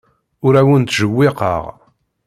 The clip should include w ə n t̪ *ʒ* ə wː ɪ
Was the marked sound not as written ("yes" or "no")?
no